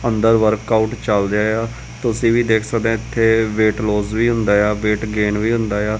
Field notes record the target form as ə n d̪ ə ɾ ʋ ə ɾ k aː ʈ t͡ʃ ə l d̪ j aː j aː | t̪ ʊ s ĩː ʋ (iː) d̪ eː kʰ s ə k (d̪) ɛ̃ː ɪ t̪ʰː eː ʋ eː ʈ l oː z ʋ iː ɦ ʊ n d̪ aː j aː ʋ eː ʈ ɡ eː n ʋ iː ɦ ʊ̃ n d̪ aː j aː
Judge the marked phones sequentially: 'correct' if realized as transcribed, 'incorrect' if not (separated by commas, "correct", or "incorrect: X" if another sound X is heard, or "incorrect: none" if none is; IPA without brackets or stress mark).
correct, correct